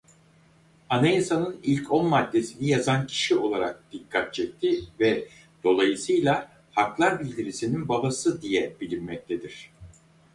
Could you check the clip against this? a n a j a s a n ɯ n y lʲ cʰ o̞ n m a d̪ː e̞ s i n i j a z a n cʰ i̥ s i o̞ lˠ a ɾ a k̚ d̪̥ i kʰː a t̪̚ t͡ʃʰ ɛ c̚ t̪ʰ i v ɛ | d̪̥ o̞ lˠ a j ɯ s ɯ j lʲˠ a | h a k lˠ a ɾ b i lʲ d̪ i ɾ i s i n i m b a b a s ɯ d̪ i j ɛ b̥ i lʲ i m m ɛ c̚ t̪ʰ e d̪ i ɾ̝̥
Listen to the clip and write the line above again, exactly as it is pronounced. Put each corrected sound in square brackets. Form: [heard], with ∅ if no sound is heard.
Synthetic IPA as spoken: a n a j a s a n ɯ n [i] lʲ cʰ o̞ n m a d̪ː e̞ s i n i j a z a n cʰ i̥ [ʃ] i o̞ lˠ a ɾ a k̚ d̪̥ i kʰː a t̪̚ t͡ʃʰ ɛ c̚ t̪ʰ i v ɛ | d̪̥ o̞ lˠ a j ɯ s ɯ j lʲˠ a | h a k lˠ a ɾ b i lʲ d̪ i ɾ i s i n i [n] b a b a s ɯ d̪ i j ɛ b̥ i lʲ i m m ɛ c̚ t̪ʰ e d̪ i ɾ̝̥